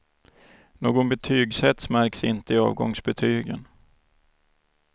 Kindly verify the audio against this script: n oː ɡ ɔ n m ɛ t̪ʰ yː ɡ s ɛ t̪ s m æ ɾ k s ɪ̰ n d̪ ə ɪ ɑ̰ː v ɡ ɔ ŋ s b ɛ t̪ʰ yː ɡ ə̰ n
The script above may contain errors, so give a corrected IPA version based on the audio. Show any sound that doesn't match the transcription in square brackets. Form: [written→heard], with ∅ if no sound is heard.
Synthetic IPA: n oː ɡ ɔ n [m→b] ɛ t̪ʰ yː ɡ s ɛ t̪ s m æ ɾ k s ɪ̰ n [d̪→t̪] ə ɪ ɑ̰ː v ɡ ɔ ŋ s b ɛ t̪ʰ yː ɡ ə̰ n